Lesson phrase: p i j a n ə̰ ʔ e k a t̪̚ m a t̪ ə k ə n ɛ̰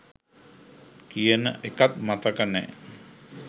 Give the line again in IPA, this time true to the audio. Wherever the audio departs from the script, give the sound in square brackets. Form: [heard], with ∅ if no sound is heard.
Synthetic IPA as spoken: [k] i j [ə] n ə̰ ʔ e k a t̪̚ m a t̪ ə k ə n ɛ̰